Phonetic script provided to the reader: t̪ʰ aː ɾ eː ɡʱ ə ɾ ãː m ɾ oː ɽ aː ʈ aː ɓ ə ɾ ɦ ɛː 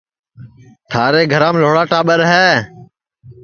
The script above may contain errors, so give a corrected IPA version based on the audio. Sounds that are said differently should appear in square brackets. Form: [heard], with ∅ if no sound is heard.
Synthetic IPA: t̪ʰ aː ɾ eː ɡʱ ə ɾ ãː m [l] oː ɽ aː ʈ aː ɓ ə ɾ ɦ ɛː